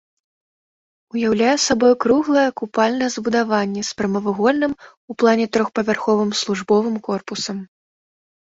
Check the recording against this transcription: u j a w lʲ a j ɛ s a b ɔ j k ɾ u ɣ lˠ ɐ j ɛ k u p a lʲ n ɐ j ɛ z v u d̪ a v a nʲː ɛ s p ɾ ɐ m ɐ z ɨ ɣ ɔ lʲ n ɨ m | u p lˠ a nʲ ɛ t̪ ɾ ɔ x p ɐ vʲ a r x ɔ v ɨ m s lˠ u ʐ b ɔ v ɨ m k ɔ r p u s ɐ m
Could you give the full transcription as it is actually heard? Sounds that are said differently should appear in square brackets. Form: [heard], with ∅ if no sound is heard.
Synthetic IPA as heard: u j a w lʲ a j ɛ s a b ɔ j k ɾ u ɣ lˠ ɐ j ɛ k u p a lʲ n ɐ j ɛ z [b] u d̪ a v a nʲː ɛ s p ɾ ɐ m ɐ [v] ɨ ɣ ɔ lʲ n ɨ m | u p lˠ a nʲ ɛ t̪ ɾ ɔ x p ɐ vʲ a r x ɔ v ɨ m s lˠ u ʐ b ɔ v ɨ m k ɔ r p u s ɐ m